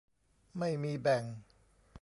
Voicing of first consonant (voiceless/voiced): voiced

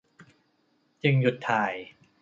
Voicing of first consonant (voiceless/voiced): voiceless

